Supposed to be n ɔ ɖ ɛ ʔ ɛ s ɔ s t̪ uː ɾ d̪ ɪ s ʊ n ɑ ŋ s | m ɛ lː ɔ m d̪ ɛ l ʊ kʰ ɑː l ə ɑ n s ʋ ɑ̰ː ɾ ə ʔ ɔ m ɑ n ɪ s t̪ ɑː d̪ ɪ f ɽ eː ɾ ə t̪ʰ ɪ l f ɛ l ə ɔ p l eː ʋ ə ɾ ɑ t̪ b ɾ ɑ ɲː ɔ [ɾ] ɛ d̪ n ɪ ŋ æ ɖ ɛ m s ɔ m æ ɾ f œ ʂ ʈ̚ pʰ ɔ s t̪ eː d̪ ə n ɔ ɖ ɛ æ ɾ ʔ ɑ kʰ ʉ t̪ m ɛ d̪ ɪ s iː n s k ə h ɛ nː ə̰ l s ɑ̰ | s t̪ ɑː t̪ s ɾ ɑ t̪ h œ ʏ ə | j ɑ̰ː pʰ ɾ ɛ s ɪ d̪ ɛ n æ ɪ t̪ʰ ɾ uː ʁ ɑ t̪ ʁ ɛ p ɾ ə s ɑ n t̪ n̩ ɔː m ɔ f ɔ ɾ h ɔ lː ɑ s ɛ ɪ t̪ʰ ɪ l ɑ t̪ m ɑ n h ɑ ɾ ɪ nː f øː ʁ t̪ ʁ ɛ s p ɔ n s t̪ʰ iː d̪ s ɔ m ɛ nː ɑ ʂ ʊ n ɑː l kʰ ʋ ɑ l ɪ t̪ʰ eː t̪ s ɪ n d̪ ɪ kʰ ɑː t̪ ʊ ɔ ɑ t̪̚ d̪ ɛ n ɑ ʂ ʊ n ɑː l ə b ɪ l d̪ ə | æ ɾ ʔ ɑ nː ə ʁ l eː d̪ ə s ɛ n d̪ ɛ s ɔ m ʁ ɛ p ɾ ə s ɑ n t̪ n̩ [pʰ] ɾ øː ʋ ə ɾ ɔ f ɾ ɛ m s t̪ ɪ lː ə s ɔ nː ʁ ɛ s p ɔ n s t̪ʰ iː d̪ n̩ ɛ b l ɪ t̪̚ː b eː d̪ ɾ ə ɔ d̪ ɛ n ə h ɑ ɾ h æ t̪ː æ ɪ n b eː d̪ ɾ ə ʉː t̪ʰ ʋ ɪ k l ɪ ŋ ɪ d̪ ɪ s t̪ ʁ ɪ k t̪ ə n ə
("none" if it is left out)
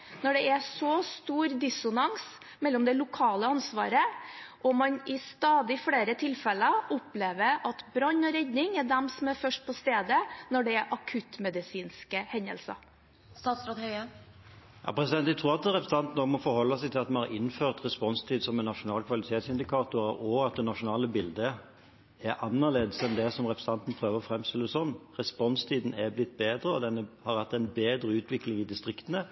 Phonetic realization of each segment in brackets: ɾ, pʰ

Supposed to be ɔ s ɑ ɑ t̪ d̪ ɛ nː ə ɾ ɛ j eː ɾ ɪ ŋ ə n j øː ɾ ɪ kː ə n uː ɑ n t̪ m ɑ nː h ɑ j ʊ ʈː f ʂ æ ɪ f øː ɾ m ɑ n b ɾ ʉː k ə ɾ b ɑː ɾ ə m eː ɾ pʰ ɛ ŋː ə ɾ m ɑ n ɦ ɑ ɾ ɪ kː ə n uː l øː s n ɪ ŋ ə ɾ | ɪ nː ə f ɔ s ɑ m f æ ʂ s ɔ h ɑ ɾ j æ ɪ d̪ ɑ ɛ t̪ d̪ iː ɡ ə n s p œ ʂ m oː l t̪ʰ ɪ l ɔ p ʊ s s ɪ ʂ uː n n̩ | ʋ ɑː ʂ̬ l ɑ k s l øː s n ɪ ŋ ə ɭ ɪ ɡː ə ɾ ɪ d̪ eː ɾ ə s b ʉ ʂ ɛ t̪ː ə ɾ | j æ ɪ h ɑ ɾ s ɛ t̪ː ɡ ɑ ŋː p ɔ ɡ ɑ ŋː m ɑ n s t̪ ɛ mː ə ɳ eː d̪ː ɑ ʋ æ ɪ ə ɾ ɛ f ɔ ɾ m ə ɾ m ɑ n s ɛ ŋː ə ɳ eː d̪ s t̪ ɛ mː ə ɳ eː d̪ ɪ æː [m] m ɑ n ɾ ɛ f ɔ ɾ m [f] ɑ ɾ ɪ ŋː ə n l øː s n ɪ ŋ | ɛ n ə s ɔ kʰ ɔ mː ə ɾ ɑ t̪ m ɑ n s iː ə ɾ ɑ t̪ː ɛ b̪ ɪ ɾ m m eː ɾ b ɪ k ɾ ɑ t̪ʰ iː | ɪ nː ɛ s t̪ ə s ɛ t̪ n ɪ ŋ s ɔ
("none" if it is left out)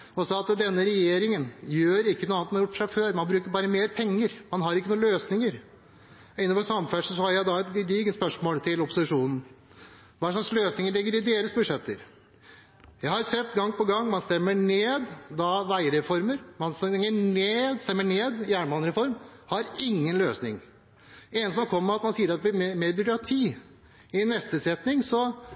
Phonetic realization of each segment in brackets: ɳ, h

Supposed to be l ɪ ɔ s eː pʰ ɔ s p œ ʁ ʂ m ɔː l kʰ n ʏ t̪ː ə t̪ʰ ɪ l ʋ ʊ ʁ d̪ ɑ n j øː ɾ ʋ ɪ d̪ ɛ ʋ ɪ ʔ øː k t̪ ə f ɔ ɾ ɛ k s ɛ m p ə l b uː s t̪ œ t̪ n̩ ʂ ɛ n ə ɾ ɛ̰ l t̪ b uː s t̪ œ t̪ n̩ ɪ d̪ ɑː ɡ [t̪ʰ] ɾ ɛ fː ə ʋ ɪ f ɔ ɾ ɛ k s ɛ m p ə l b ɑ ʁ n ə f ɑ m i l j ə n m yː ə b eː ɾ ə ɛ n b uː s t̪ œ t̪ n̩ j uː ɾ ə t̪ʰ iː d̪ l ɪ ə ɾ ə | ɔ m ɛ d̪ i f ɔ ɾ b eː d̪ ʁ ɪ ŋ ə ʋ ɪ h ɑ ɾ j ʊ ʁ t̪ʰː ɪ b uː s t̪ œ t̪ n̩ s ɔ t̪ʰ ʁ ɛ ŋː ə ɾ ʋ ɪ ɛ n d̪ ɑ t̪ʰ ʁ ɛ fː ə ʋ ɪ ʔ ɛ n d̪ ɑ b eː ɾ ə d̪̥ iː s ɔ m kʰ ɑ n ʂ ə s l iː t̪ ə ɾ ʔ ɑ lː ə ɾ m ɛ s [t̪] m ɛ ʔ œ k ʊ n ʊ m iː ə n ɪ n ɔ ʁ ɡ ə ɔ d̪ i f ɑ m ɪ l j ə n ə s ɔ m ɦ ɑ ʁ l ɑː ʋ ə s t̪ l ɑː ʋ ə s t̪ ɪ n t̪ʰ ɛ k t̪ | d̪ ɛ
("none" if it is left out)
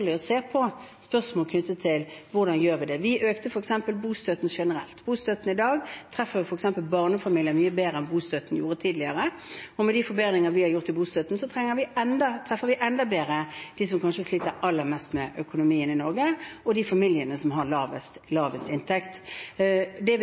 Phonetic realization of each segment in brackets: t̪ʰ, t̪

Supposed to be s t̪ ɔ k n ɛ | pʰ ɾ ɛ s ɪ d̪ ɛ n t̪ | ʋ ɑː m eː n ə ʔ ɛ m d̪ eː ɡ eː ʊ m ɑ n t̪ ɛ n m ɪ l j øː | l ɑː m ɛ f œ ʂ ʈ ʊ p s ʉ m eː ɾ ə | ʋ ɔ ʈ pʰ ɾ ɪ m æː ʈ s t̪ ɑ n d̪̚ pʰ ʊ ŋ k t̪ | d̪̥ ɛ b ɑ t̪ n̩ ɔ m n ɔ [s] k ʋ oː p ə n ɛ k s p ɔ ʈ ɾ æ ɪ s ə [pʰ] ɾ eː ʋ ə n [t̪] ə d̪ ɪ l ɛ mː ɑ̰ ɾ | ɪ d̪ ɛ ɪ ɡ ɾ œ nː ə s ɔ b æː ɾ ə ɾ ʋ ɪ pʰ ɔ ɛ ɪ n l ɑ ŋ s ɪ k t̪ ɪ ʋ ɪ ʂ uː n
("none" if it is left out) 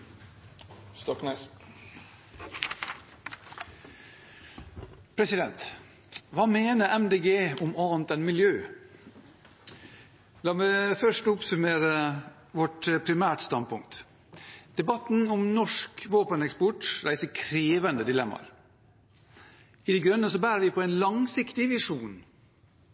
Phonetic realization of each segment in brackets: ʂ, kʰ, d̪

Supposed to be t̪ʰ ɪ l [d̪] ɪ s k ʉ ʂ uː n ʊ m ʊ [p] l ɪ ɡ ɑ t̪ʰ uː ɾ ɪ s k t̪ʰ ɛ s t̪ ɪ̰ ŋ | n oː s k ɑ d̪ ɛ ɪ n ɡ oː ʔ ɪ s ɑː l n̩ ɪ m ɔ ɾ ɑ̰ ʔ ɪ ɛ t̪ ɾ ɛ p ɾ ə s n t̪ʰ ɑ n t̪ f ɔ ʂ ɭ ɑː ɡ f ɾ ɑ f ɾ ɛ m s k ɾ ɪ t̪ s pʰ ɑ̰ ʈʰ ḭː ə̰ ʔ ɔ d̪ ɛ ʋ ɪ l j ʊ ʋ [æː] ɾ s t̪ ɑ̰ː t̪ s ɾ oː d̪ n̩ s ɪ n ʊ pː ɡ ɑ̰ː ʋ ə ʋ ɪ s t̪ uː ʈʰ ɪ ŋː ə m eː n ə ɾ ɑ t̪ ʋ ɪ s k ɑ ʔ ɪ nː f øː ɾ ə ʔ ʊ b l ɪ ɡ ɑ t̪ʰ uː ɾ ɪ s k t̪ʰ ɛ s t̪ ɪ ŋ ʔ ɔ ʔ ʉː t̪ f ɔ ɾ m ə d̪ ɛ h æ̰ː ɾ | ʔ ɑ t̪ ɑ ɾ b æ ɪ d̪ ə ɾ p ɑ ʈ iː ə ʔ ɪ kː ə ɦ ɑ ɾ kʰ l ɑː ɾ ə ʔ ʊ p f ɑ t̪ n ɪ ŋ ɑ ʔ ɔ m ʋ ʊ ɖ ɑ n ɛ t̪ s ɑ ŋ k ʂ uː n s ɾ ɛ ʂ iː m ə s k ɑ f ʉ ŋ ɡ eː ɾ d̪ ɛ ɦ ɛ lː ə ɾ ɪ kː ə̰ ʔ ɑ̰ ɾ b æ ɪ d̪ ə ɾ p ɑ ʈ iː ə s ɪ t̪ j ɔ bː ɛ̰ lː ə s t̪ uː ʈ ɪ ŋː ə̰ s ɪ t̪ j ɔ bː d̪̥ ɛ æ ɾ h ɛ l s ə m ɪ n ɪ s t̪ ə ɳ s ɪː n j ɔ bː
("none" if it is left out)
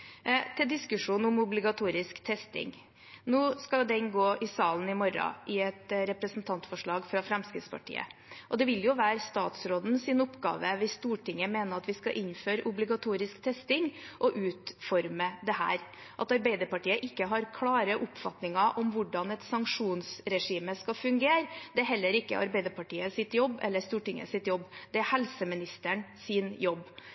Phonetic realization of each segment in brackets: d̪, b, æː

